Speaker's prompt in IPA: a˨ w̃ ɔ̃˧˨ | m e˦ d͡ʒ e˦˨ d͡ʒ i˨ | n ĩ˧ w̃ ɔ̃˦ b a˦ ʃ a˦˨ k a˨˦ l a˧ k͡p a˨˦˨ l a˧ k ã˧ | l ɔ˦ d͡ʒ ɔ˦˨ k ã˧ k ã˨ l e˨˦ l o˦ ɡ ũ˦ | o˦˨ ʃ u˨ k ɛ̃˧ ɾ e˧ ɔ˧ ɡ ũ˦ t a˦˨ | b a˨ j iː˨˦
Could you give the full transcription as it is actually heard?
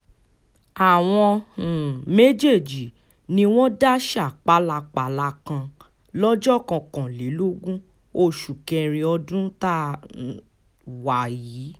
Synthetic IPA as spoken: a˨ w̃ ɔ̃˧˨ | m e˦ d͡ʒ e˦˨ d͡ʒ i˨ | n ĩ˧ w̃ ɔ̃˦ d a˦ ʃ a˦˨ k͡p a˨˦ l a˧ k͡p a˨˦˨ l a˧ k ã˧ | l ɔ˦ d͡ʒ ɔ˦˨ k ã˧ k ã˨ l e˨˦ l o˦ ɡ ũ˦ | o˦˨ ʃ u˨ k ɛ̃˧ ɾ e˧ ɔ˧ d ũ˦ t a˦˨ | w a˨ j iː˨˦